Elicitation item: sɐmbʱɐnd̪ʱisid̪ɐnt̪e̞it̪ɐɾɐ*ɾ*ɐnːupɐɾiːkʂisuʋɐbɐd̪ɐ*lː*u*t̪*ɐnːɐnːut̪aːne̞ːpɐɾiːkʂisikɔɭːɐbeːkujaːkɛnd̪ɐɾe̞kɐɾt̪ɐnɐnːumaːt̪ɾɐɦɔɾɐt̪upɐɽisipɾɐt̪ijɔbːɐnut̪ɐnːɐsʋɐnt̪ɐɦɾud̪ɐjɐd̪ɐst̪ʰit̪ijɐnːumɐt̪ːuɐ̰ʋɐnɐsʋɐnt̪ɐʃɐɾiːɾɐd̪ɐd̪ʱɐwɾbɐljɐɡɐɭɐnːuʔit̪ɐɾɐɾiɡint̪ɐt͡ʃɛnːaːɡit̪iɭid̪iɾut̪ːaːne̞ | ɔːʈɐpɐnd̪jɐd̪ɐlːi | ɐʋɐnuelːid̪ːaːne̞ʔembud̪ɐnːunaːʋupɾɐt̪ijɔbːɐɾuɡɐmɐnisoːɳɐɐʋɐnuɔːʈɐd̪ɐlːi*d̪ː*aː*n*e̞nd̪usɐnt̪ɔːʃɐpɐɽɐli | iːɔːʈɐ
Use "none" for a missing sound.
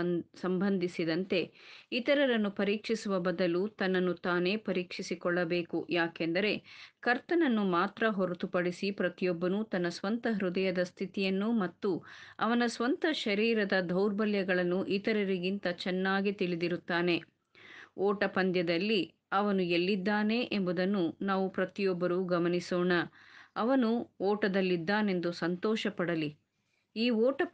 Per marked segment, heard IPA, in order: ɾ, l, t̪, d̪ː, n

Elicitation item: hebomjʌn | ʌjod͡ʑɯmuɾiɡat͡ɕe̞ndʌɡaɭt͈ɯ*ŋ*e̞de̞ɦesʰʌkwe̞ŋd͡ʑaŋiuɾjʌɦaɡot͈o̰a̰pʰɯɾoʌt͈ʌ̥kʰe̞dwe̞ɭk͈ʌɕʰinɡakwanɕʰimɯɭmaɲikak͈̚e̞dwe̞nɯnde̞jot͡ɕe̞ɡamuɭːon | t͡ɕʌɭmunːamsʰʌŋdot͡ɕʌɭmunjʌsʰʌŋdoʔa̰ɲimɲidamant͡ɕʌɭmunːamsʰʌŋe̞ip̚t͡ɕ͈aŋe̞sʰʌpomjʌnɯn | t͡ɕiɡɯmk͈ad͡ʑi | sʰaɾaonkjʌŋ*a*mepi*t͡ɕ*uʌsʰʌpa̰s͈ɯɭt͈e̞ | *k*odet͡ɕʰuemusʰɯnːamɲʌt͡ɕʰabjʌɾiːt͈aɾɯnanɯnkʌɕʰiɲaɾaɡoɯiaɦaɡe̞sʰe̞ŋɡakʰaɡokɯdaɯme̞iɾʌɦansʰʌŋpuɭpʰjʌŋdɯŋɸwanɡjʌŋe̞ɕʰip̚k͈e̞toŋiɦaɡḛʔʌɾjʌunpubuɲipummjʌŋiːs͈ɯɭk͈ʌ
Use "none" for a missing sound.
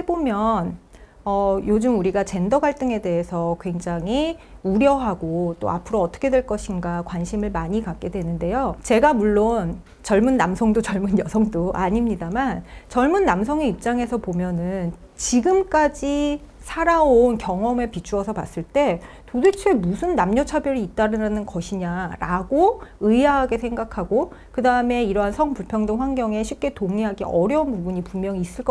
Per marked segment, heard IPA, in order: ŋ, ʌ, t͡ɕʰ, t

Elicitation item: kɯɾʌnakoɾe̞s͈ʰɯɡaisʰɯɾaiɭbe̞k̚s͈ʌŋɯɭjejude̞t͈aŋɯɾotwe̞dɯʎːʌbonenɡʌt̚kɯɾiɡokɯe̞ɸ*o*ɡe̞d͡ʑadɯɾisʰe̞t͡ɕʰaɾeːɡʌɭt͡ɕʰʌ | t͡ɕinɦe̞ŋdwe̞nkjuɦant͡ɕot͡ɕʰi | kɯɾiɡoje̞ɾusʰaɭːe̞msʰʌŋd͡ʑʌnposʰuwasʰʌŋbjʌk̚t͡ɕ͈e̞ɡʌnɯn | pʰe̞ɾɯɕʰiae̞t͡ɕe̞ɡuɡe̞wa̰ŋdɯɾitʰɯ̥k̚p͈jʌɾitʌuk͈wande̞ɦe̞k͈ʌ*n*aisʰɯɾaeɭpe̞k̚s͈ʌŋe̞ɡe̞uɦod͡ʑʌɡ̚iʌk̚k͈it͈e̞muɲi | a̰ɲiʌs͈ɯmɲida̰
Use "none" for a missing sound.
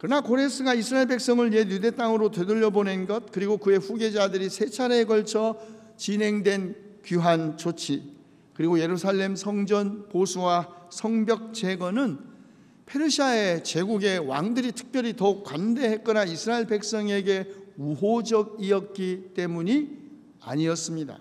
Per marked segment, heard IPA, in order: u, n

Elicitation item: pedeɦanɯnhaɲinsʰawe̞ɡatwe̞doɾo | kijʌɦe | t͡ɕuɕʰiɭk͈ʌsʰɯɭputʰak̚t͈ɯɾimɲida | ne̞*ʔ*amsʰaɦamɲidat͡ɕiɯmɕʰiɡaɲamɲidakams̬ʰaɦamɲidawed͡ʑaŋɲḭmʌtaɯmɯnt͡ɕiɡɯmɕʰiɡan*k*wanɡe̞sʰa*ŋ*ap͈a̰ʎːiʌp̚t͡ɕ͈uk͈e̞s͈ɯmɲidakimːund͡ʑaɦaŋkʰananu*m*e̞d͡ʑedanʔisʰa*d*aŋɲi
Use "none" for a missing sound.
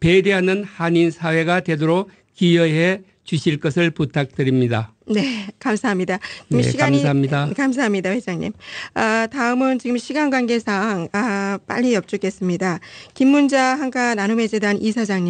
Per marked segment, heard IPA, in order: k, ɡ, ŋ, m, d͡ʑ

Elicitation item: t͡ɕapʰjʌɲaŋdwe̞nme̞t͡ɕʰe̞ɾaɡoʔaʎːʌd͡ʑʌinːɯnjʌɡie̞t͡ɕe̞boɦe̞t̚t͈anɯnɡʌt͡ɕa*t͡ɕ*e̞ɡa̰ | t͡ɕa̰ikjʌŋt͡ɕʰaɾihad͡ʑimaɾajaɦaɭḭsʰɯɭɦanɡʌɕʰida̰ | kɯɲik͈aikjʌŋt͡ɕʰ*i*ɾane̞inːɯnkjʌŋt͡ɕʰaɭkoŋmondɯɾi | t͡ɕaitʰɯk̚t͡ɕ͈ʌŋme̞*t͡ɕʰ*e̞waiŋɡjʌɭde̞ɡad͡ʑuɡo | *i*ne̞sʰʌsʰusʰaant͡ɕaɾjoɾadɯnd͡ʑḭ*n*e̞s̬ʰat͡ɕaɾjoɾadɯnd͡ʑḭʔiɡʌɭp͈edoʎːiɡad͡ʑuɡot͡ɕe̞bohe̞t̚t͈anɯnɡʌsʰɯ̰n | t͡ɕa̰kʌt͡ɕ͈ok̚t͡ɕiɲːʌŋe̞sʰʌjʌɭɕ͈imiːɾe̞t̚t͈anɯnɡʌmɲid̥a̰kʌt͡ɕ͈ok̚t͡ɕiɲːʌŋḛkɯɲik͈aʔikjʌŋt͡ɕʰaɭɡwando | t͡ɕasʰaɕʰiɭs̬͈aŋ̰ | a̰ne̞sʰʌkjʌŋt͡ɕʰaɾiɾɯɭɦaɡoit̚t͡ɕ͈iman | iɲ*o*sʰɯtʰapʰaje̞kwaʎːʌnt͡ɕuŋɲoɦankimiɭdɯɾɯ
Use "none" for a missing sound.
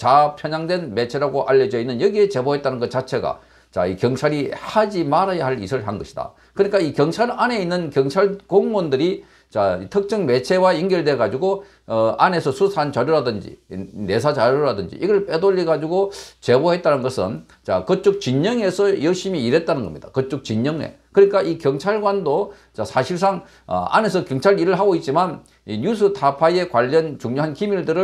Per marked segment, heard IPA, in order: t͡ɕʰ, a, t͡ɕʰ, a, n, u

